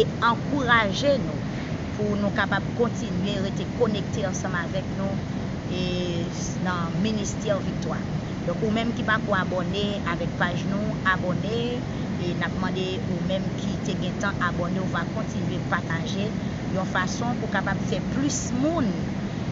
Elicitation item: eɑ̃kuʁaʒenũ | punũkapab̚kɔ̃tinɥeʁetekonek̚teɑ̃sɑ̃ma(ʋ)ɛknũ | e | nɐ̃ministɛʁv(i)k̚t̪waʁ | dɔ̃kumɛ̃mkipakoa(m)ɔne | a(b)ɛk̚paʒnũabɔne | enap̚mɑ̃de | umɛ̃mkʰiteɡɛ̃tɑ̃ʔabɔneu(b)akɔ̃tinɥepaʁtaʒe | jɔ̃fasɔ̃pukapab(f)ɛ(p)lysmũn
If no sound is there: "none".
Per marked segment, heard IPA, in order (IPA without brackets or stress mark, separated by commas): v, i, b, v, v, f, p